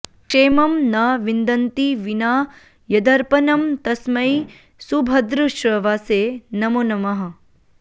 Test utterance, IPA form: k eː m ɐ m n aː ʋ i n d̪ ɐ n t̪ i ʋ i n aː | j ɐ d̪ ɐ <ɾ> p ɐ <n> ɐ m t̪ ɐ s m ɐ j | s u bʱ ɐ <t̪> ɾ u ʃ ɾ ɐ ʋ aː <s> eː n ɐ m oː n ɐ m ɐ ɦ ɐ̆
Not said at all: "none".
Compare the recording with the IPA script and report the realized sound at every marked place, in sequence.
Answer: ɾ, n, d̪, s

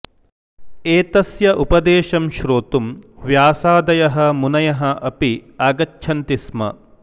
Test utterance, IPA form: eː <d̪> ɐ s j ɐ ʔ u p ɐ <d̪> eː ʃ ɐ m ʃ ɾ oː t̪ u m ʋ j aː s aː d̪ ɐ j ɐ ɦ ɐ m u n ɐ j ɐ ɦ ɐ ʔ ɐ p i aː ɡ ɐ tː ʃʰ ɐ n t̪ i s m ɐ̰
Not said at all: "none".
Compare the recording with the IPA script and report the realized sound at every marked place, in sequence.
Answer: t̪, d̪

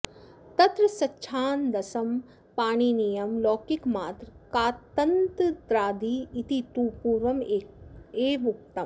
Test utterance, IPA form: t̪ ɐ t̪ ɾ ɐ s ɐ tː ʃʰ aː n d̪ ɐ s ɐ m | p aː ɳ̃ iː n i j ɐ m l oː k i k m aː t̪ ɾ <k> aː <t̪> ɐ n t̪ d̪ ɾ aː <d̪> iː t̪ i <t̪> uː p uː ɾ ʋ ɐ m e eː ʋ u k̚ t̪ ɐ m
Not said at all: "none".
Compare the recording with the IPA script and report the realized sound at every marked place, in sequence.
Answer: k, t̪, d̪, t̪

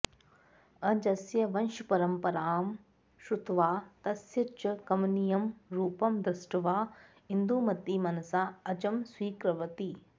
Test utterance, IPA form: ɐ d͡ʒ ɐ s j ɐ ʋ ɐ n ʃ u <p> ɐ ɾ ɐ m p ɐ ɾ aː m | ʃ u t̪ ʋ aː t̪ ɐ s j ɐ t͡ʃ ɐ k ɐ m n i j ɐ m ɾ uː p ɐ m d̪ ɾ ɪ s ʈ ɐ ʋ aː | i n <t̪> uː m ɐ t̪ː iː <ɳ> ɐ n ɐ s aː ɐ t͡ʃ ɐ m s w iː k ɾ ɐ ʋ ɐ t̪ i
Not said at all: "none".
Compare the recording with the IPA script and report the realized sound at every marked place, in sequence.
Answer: p, d̪, m

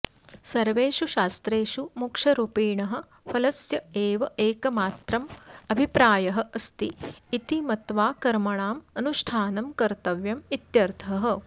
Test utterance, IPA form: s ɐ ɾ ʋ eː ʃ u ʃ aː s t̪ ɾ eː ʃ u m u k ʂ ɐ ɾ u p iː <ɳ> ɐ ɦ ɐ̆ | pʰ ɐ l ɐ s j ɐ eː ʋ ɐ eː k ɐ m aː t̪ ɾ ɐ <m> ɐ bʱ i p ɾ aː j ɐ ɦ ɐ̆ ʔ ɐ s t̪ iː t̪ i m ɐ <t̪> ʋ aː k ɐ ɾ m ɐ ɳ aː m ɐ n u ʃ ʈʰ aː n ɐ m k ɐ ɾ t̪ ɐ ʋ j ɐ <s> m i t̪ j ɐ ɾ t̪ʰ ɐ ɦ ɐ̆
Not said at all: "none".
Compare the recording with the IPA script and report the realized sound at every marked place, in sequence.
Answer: ɳ, m, t̪, none

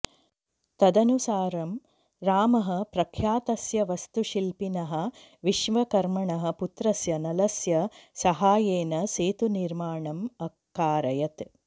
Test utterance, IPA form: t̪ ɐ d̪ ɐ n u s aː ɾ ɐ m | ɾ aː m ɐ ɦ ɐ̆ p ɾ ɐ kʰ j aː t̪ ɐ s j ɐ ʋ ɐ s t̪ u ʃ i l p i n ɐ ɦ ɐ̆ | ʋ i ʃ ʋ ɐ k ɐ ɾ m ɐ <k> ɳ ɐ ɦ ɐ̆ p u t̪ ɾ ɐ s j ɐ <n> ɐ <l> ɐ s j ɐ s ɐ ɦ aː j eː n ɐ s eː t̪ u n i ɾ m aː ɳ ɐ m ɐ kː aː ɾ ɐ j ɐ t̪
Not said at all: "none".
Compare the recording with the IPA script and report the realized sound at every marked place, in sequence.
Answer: none, n, l

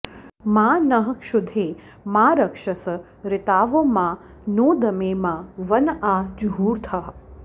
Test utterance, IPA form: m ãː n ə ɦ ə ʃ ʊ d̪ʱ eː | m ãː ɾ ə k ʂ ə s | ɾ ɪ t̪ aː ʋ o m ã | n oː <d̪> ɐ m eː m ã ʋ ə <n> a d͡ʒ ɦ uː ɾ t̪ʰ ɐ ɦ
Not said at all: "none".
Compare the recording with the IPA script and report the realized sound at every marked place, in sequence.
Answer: d̪, n

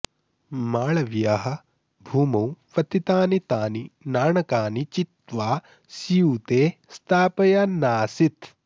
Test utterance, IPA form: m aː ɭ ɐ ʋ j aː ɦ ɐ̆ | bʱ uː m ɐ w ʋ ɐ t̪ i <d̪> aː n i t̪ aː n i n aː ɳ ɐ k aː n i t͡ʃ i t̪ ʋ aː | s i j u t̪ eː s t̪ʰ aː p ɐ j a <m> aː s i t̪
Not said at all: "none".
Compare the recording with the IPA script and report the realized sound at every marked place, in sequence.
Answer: t̪, n

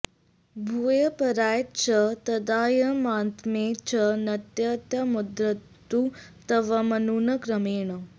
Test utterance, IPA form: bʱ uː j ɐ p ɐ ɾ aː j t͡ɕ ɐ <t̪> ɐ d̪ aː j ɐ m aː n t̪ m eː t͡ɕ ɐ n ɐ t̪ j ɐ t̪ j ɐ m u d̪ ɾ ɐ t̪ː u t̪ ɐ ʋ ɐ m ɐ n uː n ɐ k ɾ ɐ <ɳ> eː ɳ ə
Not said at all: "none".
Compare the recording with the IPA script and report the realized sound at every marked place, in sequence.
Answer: t̪, m

